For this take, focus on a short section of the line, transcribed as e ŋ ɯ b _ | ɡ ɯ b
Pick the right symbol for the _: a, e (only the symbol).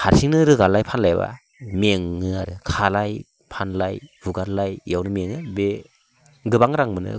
e